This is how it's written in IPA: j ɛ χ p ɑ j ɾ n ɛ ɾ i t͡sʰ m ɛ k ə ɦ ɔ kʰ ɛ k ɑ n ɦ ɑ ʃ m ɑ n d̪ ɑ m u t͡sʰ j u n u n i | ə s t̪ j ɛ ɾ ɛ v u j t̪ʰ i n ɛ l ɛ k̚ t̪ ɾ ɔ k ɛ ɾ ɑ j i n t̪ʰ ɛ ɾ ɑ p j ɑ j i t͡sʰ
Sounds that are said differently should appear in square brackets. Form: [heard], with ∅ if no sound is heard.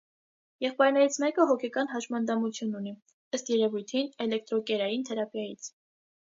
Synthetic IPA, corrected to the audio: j ɛ χ p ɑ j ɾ n ɛ ɾ i t͡sʰ m ɛ k ə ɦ ɔ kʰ ɛ k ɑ n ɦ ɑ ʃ m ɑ n d̪ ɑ m u t͡sʰ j u n u n i | ə s t̪ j ɛ ɾ ɛ v u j t̪ʰ i n ɛ l ɛ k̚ t̪ ɾ ɔ k ɛ ɾ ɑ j i n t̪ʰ ɛ ɾ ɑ p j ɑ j i t͡sʰ